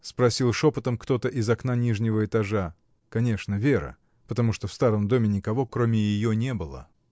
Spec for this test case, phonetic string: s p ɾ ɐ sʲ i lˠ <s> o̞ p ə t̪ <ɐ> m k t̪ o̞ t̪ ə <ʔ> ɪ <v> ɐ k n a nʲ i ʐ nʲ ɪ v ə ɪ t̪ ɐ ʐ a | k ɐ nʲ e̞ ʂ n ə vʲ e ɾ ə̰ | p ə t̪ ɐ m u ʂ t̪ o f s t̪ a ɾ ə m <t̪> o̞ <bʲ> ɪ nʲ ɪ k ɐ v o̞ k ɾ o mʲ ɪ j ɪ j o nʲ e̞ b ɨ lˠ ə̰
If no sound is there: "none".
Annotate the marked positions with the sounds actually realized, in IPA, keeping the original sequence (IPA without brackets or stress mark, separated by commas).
ʂ, ə, ʔ, z, d̪, mʲ